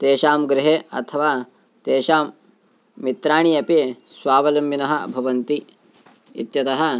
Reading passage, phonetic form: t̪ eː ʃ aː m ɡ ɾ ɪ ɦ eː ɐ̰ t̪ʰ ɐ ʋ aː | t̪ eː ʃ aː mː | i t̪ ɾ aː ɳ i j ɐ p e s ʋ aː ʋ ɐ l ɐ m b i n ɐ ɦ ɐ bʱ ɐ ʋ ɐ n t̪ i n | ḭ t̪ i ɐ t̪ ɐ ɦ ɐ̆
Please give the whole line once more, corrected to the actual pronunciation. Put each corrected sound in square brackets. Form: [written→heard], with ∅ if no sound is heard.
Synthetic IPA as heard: t̪ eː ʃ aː m ɡ ɾ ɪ ɦ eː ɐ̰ t̪ʰ ɐ ʋ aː | t̪ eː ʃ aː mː | i t̪ ɾ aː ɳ i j ɐ p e s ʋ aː ʋ ɐ l ɐ m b i n ɐ ɦ ɐ bʱ ɐ ʋ ɐ n t̪ i [n→∅] | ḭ t̪ [i→j] ɐ t̪ ɐ ɦ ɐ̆